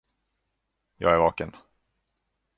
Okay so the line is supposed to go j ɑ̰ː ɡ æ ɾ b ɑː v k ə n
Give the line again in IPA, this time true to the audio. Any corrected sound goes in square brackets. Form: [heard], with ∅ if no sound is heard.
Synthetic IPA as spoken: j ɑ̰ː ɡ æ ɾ [v] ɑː [∅] k ə n